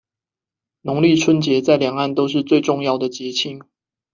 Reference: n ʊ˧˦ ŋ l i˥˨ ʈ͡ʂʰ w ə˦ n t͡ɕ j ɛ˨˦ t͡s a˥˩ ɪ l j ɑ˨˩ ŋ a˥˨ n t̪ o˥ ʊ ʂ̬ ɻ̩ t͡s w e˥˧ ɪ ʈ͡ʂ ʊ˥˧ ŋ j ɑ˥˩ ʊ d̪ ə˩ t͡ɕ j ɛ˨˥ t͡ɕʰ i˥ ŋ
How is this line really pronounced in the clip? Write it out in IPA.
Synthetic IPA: n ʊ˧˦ ŋ l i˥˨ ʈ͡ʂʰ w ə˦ n t͡ɕ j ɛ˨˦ t͡s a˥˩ ɪ l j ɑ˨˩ ŋ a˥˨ n t̪ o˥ ʊ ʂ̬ ɻ̩ t͡s w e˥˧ ɪ ʈ͡ʂ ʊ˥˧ ŋ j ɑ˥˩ ʊ d̪ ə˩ t͡ɕ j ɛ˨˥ t͡ɕʰ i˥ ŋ